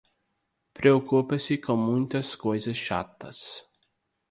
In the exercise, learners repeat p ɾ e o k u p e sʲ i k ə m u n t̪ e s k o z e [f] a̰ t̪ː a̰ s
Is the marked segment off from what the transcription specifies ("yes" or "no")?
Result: yes